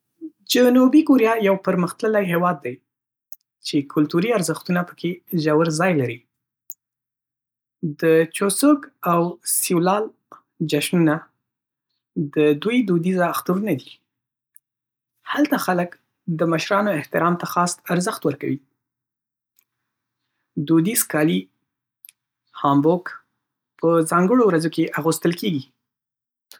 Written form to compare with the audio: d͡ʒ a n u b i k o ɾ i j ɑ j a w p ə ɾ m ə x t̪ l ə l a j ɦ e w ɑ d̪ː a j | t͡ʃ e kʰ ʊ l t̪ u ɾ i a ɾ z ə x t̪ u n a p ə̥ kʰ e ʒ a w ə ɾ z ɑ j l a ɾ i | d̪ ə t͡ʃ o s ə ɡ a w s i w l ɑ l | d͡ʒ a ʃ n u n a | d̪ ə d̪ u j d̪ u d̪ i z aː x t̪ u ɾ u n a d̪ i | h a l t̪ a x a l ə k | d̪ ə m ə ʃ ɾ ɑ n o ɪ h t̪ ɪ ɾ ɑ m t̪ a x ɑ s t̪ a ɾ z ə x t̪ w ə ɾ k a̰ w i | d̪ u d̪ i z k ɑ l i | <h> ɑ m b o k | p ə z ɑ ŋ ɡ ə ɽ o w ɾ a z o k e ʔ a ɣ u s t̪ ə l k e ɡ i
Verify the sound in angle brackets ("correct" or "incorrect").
correct